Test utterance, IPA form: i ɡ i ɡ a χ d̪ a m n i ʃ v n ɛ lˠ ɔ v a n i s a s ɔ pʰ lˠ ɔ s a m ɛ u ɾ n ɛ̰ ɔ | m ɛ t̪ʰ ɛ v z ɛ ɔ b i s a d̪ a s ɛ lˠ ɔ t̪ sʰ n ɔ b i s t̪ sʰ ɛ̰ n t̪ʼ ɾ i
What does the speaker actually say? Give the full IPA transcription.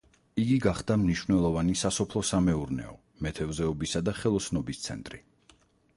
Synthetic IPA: i ɡ i ɡ a χ d̪ a m n i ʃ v n ɛ lˠ ɔ v a n i s a s ɔ pʰ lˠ ɔ s a m ɛ u ɾ n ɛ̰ ɔ | m ɛ t̪ʰ ɛ v z ɛ ɔ b i s a d̪ a χ ɛ lˠ ɔ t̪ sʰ n ɔ b i s t̪ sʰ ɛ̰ n t̪ʼ ɾ i